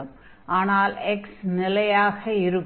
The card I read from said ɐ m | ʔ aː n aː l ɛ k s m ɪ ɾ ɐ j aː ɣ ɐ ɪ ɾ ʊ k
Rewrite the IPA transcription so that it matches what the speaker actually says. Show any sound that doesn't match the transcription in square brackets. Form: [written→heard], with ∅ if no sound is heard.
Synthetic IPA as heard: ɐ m | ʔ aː n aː l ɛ k s [m→n] ɪ [ɾ→l] ɐ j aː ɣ ɐ ɪ ɾ [ʊ→ɯ] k